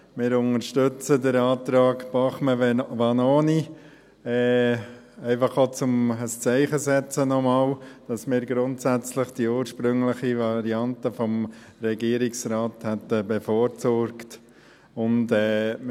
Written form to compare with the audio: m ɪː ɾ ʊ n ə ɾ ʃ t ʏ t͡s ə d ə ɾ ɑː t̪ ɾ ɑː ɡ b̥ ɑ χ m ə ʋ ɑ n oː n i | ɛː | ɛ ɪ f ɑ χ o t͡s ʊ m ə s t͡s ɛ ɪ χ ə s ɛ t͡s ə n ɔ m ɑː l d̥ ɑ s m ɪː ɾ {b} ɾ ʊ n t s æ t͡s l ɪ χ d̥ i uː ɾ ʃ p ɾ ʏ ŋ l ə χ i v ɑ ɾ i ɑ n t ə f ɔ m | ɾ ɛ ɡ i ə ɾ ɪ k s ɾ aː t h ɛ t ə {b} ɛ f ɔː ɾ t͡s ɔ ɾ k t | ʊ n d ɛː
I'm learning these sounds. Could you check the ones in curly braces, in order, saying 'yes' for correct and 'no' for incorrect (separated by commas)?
no, yes